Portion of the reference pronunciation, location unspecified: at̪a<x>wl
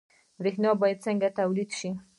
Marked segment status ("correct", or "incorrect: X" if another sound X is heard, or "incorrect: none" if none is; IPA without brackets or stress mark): incorrect: none